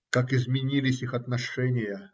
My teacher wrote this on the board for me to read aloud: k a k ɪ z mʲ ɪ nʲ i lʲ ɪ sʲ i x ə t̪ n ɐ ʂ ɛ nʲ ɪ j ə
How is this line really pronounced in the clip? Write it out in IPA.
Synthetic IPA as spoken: k a k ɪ z mʲ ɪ nʲ i lʲ ɪ sʲ i x ɐ t̪ n ɐ ʂ ɛ nʲ ɪ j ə